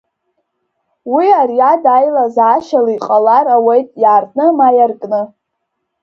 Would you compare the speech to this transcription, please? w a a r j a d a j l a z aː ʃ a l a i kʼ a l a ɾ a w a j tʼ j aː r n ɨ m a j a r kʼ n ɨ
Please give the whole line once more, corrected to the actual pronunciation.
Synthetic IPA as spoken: w i a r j a d a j l a z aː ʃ a l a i qʼ a l a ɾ a w e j tʼ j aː r n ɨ m a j a r kʼ n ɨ

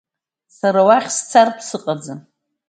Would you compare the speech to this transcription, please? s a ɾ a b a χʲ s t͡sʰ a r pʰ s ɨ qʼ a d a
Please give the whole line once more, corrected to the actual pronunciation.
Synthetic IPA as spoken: s a ɾ a w a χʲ s t͡sʰ a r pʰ s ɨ qʼ a d͡z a

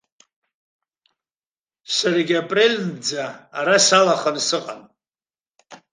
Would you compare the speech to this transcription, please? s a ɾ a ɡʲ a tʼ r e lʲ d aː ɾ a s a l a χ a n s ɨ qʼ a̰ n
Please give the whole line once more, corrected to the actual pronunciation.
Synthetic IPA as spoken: s a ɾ a ɡʲ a pʼ r e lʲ d͡z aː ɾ a s a l a χ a n s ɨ qʼ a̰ n

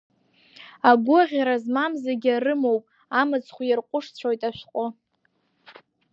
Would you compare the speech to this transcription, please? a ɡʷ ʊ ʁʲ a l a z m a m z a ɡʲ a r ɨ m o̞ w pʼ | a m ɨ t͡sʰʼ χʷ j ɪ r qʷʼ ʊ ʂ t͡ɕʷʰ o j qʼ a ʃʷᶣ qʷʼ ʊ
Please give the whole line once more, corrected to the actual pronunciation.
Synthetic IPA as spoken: a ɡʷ ʊ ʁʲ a ɾ a z m a m z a ɡʲ a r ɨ m o̞ w pʼ | a m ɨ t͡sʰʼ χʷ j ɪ r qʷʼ ʊ ʂ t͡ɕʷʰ o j tʼ a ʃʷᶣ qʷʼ ʊ

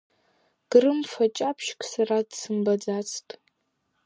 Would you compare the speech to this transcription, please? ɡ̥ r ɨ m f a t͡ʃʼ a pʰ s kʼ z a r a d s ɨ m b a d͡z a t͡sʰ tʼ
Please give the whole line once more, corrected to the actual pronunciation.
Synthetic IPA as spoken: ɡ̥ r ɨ m f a t͡ʃʼ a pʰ ʃ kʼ s a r a d s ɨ m b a d͡z a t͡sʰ tʼ

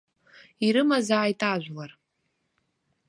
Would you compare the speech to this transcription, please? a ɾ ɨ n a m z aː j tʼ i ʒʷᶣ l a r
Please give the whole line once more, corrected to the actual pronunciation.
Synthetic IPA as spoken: i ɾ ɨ m a z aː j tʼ a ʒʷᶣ l a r

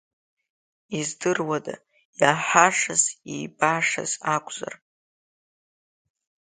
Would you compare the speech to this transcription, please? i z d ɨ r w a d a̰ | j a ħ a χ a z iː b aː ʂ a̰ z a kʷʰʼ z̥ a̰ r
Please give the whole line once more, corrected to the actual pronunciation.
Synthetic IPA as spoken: i z d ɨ r w a d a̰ | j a ħ a ʂ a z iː b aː ʂ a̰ z a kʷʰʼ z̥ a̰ r

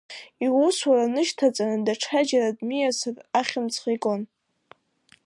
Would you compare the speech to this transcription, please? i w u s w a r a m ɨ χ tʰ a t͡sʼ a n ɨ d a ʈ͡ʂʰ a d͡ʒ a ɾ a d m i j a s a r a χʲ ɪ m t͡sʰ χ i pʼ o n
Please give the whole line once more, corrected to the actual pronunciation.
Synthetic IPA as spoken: i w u s w a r a n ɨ ʃ tʰ a t͡sʼ a n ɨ d a ʈ͡ʂʰ a d͡ʒ a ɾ a d m i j a s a r a χʲ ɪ m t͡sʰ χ i kʼ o n

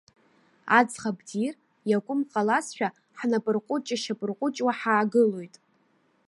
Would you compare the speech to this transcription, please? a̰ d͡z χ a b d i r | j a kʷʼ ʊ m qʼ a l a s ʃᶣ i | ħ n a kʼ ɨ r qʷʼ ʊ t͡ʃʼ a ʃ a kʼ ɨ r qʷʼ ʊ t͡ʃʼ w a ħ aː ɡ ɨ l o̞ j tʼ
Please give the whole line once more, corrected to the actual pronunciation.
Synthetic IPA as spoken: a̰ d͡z χ a b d i r | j a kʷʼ ʊ m qʼ a l a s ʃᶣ a | ħ n a pʼ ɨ r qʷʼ ʊ t͡ʃʼ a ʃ a pʼ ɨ r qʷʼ ʊ t͡ʃʼ w a ħ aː ɡ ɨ l o̞ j tʼ

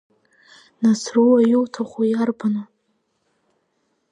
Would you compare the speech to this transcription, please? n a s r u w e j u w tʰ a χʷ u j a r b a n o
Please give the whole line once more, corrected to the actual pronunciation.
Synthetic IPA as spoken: n a s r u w a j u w tʰ a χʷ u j a r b a n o

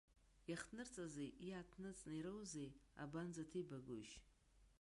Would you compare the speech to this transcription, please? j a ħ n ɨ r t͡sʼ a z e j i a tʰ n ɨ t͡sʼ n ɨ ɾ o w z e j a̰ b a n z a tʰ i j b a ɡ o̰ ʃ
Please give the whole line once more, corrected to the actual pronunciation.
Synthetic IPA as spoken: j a χ n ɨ r t͡sʼ a z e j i a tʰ n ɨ t͡sʼ n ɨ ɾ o w z e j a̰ b a n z a tʰ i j b a ɡ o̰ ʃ

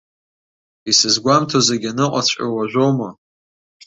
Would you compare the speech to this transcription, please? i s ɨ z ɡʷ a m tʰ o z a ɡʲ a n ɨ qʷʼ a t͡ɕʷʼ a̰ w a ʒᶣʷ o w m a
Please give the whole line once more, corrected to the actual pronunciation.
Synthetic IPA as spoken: i s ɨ z ɡʷ a m tʰ o z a ɡʲ a n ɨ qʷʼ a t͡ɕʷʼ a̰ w a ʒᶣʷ o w m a

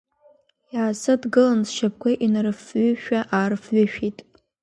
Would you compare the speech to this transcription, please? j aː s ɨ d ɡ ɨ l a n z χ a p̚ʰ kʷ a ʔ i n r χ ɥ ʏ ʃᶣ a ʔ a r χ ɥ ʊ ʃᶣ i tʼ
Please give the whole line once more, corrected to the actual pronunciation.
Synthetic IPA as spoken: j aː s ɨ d ɡ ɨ l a n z ʃ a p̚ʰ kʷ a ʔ i n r f ɥ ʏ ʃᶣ a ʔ a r f ɥ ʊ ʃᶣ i tʼ

